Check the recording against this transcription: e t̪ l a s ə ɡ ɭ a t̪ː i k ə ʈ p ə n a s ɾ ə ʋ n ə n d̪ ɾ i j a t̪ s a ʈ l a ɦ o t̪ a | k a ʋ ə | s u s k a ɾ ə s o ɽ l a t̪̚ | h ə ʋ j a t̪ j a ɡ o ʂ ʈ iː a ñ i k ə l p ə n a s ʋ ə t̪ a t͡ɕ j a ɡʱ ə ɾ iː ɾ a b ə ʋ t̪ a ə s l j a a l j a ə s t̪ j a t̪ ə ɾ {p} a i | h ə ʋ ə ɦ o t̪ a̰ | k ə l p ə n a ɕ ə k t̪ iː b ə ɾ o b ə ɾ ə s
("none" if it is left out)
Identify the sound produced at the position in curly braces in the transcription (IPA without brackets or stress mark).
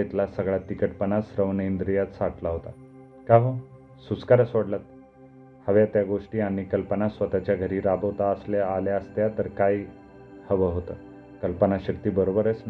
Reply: k